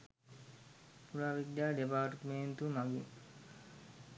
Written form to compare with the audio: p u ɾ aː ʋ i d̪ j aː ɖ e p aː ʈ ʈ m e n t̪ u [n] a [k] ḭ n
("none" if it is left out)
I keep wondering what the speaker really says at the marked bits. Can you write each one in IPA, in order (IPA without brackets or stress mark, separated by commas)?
m, ɡ